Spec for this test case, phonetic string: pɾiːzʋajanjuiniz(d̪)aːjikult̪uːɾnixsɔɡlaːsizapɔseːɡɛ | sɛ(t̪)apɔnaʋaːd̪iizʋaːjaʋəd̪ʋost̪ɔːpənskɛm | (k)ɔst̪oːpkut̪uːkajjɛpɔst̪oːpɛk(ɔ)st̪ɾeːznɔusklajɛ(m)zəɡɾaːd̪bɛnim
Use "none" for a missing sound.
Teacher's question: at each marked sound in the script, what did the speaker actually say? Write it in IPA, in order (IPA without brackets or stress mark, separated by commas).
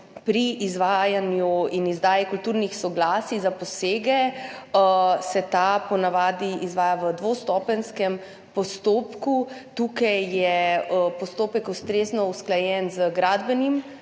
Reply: d̪, t̪, p, u, n